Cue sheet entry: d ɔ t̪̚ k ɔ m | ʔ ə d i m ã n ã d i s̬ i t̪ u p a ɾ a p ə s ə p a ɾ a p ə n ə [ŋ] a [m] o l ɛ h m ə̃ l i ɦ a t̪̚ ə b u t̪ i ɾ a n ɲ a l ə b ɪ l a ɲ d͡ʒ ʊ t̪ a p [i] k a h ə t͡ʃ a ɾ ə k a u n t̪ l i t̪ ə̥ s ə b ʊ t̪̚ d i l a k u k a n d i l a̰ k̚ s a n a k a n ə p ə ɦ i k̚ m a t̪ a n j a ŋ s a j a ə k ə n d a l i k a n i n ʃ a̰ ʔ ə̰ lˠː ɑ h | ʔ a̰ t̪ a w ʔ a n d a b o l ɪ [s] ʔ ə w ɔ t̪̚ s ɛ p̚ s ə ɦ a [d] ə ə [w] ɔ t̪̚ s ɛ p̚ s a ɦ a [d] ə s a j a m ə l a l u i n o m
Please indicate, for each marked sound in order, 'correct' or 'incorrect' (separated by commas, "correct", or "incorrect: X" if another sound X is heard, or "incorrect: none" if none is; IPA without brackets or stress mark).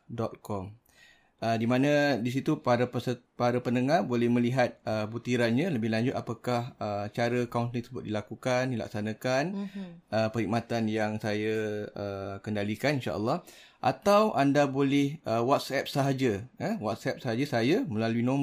correct, incorrect: b, incorrect: a, incorrect: h, incorrect: d͡ʒ, correct, incorrect: d͡ʒ